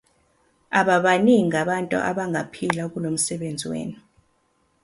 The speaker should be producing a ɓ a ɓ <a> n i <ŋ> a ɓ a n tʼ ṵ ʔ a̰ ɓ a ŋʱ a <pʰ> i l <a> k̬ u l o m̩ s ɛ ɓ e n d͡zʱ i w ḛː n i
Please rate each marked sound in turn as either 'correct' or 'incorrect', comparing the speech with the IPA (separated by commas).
correct, correct, correct, correct